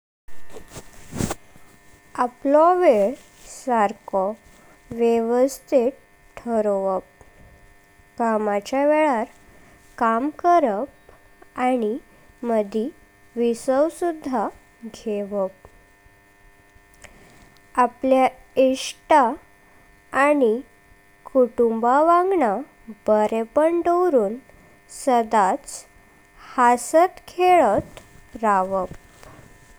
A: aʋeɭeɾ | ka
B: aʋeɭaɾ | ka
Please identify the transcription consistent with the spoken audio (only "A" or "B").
B